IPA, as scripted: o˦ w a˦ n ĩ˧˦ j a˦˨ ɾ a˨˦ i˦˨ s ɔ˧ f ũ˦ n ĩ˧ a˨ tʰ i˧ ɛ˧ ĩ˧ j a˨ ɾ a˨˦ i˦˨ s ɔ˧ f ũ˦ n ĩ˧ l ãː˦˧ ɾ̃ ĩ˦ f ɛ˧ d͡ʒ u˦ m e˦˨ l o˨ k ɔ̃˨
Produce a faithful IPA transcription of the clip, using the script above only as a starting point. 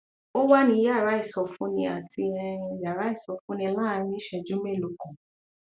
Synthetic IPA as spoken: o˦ w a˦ n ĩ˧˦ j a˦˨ ɾ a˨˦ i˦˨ s ɔ˧ f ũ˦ n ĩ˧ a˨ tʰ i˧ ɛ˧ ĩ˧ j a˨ ɾ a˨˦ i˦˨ s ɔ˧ f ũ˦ n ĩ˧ l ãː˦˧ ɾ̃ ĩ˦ ʃ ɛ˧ d͡ʒ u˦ m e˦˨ l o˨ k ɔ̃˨